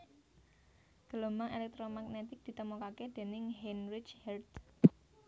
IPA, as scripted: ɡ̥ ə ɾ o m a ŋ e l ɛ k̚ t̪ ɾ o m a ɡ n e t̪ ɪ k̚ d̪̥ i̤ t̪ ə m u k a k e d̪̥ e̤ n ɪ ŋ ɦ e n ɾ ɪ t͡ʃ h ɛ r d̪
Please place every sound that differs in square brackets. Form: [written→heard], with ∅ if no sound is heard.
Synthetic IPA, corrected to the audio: ɡ̥ ə [ɾ→l] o m a ŋ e l ɛ k̚ t̪ ɾ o m a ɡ n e t̪ ɪ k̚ d̪̥ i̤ t̪ ə m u k a k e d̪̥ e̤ n ɪ ŋ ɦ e n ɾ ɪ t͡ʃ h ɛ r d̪